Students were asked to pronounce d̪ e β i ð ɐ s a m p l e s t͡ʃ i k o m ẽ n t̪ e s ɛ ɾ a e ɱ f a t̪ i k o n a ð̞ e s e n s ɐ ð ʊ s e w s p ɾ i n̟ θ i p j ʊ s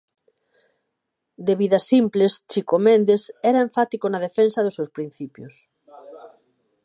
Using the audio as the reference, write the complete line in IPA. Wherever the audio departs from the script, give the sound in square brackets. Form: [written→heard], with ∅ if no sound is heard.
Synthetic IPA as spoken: d̪ e β i ð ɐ s [a→i] m p l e s t͡ʃ i k o m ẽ n [t̪→d̪] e s ɛ ɾ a e ɱ f a t̪ i k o n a ð̞ e [s→f] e n s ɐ ð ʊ s e w s p ɾ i n̟ θ i p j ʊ s